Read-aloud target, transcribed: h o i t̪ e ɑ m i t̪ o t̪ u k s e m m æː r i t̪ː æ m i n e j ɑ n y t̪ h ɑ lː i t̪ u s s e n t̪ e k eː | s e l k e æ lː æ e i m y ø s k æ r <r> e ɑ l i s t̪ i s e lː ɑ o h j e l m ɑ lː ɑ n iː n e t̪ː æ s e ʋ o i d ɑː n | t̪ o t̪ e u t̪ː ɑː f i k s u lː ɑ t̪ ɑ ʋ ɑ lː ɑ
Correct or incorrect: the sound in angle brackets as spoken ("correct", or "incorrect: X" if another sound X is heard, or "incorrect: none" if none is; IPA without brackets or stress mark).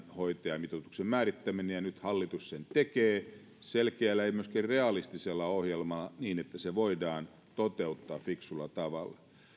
correct